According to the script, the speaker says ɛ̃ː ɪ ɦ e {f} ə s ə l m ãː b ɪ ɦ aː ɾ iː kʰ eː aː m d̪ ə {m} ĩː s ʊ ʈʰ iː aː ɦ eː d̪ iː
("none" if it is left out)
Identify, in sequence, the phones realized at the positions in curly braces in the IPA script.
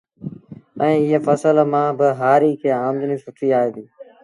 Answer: f, n

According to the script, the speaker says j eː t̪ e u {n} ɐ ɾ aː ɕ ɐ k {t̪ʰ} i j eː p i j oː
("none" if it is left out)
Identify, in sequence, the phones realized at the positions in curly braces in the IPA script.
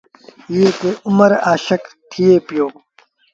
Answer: m, t̪ʰ

